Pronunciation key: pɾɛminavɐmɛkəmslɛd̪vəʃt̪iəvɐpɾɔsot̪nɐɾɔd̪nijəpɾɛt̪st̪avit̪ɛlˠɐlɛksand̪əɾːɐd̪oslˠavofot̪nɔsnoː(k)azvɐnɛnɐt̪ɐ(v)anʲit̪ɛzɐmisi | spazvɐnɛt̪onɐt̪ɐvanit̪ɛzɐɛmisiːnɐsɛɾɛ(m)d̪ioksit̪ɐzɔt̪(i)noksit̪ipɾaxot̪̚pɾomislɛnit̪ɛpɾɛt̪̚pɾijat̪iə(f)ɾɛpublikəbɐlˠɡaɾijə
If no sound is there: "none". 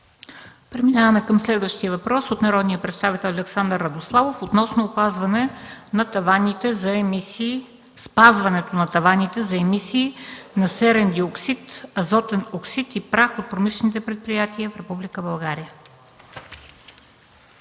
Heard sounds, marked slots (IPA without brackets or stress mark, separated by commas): p, v, n, ɛ, f